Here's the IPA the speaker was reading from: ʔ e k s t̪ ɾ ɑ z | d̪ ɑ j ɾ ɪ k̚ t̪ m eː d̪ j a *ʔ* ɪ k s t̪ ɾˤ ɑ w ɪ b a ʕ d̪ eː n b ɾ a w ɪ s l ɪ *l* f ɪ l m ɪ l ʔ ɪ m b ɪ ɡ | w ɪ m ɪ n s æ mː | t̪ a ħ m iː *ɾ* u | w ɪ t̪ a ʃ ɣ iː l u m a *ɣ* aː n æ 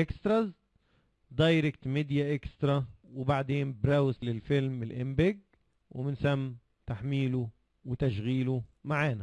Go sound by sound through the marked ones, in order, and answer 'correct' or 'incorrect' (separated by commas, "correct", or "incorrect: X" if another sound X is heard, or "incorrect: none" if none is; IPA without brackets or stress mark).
correct, correct, incorrect: l, incorrect: ʕ